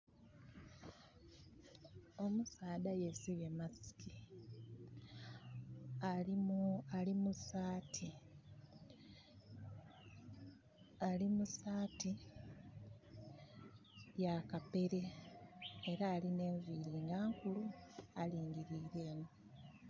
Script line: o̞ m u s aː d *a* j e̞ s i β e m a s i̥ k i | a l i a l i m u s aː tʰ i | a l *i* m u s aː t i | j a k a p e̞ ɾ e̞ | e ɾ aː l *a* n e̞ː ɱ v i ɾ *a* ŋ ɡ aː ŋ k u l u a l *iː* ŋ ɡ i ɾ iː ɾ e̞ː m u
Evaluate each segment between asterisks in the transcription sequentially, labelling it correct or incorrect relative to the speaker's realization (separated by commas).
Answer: correct, correct, incorrect, incorrect, correct